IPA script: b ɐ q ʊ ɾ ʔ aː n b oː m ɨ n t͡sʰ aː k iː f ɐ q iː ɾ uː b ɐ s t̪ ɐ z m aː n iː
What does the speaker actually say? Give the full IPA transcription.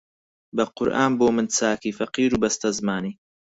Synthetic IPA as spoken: b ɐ q ʊ ɾ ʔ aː n b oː m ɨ n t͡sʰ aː k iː f ɐ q iː ɾ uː b ɐ s t̪ ɐ z m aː n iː